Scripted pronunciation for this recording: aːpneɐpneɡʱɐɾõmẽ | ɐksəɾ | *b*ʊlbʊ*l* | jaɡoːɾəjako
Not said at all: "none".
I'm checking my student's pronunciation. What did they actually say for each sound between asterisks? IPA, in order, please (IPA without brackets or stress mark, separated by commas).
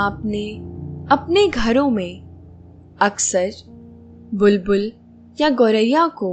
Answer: b, l